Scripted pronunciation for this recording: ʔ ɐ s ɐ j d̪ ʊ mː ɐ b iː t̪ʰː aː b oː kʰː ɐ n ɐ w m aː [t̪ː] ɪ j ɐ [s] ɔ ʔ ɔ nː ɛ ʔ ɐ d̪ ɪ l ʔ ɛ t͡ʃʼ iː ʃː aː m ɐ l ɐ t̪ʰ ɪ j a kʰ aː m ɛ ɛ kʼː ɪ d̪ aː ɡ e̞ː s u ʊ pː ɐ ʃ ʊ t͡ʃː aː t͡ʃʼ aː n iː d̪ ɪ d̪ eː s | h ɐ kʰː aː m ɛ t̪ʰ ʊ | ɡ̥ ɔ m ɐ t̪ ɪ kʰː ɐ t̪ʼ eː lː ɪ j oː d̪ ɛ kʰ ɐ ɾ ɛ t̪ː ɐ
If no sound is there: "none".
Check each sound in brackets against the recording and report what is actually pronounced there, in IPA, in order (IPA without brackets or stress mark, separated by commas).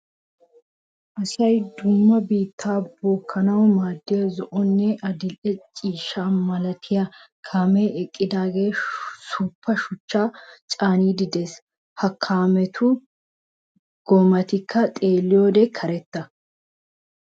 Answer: d̪ː, z